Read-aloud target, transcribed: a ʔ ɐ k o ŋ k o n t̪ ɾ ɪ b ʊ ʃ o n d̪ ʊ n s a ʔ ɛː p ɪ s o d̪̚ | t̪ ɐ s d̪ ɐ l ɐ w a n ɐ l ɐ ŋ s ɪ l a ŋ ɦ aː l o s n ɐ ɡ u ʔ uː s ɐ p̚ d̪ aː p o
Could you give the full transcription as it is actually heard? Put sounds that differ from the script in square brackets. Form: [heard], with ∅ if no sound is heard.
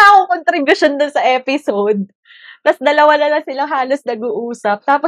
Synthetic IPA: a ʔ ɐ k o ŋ k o n t̪ ɾ ɪ b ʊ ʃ o n d̪ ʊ n s [ɐ] ʔ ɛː p ɪ s o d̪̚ | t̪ ɐ s d̪ ɐ l ɐ w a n ɐ l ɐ ŋ s ɪ l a ŋ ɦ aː l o s n ɐ ɡ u ʔ uː s ɐ p̚ [t̪] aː p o